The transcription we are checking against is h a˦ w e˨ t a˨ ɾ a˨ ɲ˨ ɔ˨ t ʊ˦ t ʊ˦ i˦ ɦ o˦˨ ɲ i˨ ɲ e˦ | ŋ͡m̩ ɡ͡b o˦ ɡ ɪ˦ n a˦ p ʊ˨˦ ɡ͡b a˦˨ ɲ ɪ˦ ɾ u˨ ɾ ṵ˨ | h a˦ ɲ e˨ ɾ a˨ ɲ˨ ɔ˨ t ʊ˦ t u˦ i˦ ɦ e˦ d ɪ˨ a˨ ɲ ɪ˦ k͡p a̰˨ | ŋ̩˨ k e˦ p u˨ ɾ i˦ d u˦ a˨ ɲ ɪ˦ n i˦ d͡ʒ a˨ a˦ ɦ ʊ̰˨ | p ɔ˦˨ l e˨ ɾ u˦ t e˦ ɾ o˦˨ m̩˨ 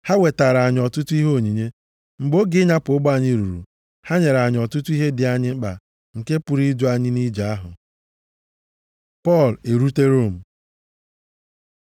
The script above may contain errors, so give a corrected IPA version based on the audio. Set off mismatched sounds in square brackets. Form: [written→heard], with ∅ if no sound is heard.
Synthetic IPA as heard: h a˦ w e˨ t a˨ ɾ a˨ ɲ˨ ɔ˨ t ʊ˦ t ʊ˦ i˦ ɦ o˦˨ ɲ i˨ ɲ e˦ | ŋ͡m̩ ɡ͡b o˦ ɡ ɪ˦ [n→ɲ] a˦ p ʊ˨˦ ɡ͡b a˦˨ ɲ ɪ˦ ɾ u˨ ɾ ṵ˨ | h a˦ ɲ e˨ ɾ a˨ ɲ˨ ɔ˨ t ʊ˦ t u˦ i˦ ɦ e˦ d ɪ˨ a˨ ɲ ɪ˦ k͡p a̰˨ | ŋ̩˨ k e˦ p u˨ ɾ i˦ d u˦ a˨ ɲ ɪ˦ n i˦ d͡ʒ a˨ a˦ ɦ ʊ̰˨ | p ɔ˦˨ l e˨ ɾ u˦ t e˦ ɾ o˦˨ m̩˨